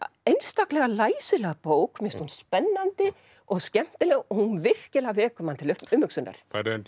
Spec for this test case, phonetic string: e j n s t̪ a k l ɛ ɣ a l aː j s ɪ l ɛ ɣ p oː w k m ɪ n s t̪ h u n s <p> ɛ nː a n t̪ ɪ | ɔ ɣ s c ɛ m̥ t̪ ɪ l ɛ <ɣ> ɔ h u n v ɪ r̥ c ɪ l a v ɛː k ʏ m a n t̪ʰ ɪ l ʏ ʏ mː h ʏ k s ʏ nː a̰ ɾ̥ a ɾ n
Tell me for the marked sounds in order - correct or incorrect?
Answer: correct, correct

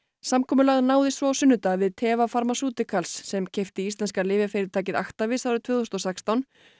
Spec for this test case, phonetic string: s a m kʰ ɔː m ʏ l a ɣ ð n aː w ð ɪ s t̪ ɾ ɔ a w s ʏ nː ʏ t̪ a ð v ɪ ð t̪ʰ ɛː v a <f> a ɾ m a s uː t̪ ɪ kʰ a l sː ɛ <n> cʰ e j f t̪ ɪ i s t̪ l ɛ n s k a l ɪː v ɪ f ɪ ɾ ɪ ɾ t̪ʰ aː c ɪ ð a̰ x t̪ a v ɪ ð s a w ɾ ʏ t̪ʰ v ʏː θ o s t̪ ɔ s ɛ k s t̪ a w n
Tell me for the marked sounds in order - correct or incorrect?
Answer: correct, incorrect: m

